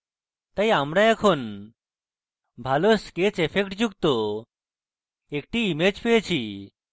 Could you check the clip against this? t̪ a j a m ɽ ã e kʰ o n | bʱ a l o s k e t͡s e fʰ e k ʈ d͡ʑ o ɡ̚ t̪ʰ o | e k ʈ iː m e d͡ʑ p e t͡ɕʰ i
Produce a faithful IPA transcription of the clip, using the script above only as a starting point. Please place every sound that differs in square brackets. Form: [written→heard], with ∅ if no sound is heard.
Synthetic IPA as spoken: t̪ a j a m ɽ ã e kʰ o n | bʱ a l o s k e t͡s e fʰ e k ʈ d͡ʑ [o→u] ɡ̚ [t̪ʰ→t̪] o | e k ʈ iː m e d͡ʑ p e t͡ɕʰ i